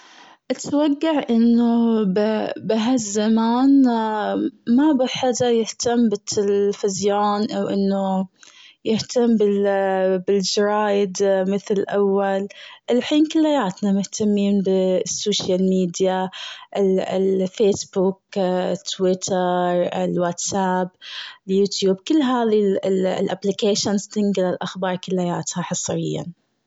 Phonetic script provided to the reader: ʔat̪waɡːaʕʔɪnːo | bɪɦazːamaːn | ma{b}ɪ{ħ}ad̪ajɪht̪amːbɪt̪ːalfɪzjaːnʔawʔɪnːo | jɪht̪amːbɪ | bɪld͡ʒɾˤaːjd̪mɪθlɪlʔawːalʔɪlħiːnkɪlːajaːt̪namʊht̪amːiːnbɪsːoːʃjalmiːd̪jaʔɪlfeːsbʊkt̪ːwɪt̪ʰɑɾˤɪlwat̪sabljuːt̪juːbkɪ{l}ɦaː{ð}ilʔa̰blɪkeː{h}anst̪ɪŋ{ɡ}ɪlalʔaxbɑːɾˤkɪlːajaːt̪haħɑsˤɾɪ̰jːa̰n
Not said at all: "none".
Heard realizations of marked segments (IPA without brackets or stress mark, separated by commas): b, ħ, lː, ð, ʃ, ɡ